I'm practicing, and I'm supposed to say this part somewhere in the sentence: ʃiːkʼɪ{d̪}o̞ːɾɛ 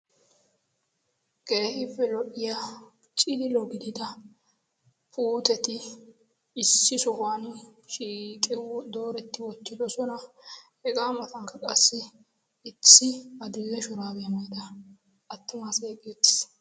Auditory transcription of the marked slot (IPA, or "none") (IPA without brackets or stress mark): d̪